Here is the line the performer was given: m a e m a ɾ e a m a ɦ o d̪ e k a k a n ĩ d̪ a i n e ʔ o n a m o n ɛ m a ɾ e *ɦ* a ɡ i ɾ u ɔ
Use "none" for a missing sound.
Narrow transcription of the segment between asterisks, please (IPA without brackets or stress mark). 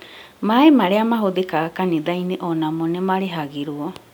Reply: ɦ